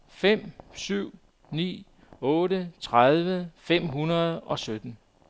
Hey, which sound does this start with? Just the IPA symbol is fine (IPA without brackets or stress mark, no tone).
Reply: f